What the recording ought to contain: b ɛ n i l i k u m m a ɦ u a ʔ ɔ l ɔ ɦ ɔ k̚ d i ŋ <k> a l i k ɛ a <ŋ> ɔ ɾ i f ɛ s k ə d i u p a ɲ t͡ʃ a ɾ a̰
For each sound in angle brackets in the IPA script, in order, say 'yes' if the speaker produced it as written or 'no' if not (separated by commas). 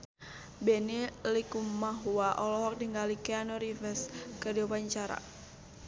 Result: no, no